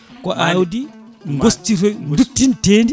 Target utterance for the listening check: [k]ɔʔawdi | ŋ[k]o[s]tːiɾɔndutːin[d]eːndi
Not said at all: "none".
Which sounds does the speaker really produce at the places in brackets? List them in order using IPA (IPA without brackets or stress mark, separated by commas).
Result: k, ɡ, s, t